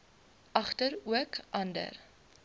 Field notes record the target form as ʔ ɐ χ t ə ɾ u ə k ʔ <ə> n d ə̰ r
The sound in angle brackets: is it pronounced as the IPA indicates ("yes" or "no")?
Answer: no